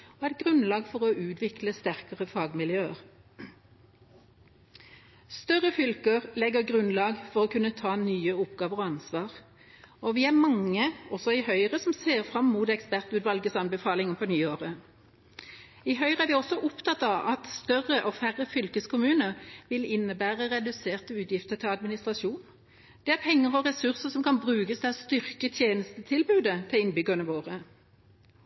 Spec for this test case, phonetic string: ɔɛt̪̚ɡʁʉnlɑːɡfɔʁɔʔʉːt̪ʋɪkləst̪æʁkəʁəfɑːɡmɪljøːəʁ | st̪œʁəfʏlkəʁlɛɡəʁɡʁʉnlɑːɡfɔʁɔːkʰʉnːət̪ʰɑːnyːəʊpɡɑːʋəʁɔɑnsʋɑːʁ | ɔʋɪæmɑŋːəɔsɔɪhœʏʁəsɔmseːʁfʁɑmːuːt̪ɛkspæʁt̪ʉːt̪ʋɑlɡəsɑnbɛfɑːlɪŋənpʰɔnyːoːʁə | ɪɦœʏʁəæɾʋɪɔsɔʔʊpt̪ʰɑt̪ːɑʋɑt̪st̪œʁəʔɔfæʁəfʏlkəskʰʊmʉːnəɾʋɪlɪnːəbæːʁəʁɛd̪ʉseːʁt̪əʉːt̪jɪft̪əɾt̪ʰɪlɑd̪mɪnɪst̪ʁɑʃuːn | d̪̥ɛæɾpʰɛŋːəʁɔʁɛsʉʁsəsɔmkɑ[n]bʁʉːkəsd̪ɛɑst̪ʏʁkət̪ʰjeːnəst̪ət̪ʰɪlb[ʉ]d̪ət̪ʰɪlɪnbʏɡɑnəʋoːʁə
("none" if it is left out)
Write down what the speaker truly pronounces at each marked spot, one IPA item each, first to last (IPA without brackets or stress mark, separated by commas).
n, ʉː